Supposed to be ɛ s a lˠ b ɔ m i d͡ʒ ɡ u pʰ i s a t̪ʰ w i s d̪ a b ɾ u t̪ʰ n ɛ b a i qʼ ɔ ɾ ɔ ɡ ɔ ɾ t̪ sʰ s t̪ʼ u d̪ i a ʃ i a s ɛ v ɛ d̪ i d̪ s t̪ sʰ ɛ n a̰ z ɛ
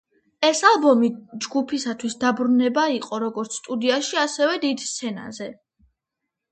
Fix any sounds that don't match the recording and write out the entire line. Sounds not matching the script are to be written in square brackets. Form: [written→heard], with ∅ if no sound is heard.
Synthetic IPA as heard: ɛ s a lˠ b ɔ m i d͡ʒ ɡ u pʰ i s a t̪ʰ w i s d̪ a b ɾ u [t̪ʰ→∅] n ɛ b a i qʼ ɔ ɾ ɔ ɡ ɔ ɾ t̪ sʰ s t̪ʼ u d̪ i a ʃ i a s ɛ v ɛ d̪ i d̪ s t̪ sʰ ɛ n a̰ z ɛ